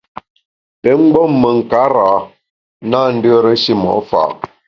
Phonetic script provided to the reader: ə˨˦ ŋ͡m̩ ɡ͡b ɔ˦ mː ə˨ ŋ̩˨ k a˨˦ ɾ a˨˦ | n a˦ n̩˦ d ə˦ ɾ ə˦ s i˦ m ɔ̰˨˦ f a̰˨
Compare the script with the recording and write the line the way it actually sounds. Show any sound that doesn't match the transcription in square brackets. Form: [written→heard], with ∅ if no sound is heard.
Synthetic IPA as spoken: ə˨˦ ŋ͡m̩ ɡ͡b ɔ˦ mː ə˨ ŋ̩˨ k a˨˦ ɾ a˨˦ | n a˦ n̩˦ d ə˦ ɾ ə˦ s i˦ m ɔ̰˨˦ f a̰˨